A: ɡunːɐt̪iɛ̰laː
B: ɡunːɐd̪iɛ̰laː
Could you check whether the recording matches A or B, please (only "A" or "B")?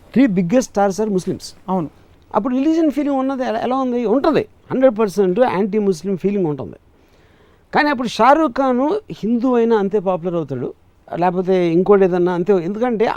B